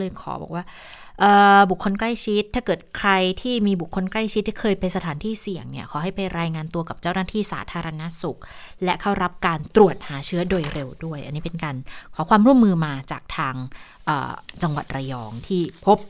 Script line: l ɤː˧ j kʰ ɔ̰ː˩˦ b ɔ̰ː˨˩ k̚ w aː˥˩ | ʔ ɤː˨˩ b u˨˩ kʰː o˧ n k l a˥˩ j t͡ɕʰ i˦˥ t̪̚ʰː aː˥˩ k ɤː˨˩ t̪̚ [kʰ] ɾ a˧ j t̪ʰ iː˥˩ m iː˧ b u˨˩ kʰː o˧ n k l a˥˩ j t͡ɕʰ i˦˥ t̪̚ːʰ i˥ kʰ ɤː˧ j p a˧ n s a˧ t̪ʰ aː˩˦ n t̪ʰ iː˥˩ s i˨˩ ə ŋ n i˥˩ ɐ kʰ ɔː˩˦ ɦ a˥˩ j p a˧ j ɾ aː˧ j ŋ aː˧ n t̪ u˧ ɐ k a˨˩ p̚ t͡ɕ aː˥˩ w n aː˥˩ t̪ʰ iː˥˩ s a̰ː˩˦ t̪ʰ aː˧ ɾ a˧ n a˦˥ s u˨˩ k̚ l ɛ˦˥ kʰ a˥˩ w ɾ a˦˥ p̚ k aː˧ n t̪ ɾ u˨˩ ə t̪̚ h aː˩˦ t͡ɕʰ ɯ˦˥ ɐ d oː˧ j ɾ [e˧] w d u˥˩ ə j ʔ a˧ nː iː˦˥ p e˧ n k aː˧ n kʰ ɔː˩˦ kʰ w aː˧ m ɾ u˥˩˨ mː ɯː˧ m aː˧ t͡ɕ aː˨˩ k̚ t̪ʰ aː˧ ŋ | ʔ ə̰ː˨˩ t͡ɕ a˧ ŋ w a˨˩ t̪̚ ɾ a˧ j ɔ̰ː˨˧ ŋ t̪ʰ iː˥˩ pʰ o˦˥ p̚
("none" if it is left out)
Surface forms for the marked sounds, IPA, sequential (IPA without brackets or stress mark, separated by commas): kʰ, e˧